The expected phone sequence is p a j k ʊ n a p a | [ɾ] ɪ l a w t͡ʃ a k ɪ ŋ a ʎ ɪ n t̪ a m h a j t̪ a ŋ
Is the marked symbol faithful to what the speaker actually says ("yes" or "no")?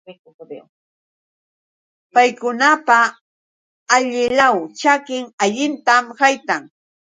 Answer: no